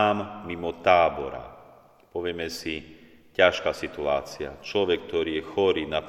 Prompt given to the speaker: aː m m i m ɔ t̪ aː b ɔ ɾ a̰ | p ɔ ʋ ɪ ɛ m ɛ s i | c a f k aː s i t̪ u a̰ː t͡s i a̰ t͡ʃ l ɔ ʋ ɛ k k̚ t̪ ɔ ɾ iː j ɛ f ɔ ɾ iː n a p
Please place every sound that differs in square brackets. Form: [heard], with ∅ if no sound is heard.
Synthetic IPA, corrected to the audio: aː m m i m ɔ t̪ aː b ɔ ɾ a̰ | p ɔ ʋ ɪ ɛ m ɛ s i | c a [ʃ] k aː s i t̪ u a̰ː t͡s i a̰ t͡ʃ l ɔ ʋ ɛ k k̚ t̪ ɔ ɾ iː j ɛ [x] ɔ ɾ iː n a p